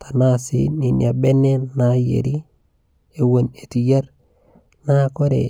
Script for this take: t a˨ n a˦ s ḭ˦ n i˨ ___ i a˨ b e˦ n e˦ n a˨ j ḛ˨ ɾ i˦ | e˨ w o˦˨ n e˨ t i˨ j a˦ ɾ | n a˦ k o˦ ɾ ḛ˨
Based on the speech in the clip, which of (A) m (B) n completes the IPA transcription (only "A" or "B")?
B